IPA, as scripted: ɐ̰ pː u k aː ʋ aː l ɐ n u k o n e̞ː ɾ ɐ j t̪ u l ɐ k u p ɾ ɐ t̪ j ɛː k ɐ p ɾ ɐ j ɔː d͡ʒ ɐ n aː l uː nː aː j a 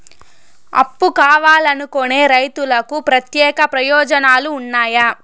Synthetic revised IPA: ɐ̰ pː u k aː ʋ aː l ɐ n u k o n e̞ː ɾ ɐ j t̪ u l ɐ k u p ɾ ɐ t̪ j ɛː k ɐ p ɾ ɐ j ɔː d͡ʒ ɐ n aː l uː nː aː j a